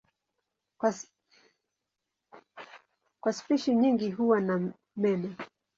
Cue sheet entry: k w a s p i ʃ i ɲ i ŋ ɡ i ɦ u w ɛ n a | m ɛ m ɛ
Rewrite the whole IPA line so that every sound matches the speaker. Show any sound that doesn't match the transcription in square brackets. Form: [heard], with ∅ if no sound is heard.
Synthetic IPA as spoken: k w a s p i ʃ i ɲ i ŋ ɡ i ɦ u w [a] n a | m ɛ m ɛ